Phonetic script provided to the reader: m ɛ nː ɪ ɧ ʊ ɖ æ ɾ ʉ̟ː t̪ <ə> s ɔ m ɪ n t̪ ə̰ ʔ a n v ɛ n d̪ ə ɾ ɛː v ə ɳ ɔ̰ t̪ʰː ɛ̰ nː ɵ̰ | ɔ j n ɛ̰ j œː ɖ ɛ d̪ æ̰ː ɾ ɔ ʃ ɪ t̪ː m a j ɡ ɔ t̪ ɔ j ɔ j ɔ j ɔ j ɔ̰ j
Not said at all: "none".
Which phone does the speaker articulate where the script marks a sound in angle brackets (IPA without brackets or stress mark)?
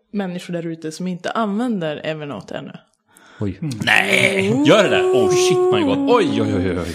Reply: ə